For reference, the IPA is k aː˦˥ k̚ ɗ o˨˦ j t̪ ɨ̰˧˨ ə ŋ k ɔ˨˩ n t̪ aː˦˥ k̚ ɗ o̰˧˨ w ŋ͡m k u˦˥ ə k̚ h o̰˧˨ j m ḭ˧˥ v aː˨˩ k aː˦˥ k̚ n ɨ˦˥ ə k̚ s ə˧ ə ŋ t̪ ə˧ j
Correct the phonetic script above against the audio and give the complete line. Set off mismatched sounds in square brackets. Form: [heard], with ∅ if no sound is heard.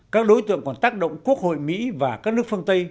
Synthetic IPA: k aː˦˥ k̚ ɗ o˨˦ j t̪ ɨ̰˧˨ ə ŋ k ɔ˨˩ n t̪ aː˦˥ k̚ ɗ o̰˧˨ w ŋ͡m k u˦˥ ə k̚ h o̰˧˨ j m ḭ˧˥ v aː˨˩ k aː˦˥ k̚ n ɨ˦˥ ə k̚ [f] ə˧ ə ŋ t̪ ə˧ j